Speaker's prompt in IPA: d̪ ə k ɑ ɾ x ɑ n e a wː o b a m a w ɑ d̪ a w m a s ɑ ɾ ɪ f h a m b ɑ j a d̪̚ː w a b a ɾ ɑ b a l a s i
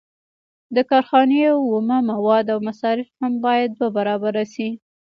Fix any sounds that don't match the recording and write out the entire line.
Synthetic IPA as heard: d̪ ə k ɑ ɾ x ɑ n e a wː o m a m a w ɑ d̪ a w m a s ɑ ɾ ɪ f h a m b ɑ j a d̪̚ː w a b a ɾ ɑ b a ɾ a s i